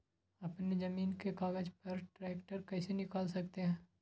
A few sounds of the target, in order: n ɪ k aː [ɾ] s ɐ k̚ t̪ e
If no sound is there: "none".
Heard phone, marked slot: l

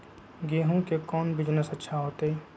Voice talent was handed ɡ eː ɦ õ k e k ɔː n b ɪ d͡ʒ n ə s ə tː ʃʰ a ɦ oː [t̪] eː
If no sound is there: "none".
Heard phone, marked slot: t̪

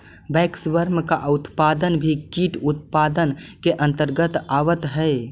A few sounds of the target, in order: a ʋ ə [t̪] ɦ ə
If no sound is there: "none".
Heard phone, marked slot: t̪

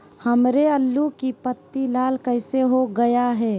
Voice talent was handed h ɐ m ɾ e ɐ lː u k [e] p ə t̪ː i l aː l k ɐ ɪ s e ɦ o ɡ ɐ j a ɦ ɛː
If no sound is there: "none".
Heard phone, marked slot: i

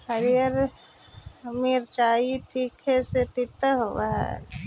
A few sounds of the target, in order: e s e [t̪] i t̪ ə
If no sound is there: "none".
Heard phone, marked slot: t̪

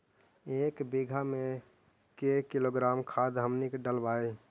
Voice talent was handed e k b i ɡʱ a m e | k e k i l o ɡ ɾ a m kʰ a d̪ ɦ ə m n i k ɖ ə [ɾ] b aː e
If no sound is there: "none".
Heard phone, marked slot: l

